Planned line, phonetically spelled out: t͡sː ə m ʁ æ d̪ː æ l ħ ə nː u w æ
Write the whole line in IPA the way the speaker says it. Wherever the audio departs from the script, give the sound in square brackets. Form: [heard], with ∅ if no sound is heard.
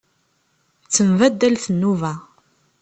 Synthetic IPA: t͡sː ə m [v] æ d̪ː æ l [θ] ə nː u [v] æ